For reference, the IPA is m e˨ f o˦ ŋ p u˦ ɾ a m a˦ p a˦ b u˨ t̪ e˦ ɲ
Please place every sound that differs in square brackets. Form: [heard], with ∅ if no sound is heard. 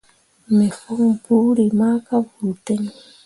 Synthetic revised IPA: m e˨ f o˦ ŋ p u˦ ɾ [i] m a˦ [k] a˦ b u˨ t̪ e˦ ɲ